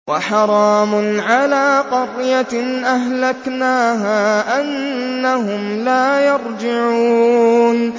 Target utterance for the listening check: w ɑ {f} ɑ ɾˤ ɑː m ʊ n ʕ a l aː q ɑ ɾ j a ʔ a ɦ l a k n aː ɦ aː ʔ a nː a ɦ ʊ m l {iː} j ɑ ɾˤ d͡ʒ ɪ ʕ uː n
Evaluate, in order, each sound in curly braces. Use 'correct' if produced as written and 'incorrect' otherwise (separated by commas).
incorrect, incorrect